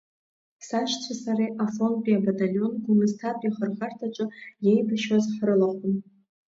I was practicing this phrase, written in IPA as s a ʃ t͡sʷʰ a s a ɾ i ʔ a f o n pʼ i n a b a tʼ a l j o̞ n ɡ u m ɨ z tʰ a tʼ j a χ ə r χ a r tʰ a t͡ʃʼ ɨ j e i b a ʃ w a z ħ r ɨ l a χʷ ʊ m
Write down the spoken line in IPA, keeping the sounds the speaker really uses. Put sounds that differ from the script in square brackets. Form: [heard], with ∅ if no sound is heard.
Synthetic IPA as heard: s a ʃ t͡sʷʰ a s a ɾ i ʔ a f o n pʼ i [∅] a b a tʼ a l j o̞ n ɡ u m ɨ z tʰ a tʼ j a χ ə r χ a r tʰ a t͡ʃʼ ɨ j e [j] b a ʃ w a z ħ r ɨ l a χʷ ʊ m